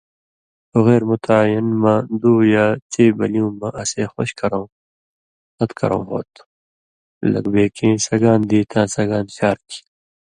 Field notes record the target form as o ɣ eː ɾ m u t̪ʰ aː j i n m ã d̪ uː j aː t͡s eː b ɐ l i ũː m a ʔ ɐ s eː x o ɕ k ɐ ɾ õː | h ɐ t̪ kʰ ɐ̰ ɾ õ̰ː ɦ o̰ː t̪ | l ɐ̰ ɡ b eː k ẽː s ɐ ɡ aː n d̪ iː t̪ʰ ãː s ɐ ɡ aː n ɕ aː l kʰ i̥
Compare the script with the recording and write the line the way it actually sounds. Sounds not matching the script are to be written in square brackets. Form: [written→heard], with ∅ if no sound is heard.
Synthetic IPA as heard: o ɣ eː ɾ m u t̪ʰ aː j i n m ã d̪ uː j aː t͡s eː b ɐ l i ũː m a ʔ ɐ s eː x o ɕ k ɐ ɾ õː | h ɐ t̪ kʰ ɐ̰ ɾ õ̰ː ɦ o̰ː t̪ | l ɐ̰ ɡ b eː k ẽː s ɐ ɡ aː n d̪ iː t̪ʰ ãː s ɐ ɡ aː n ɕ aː [l→ɾ] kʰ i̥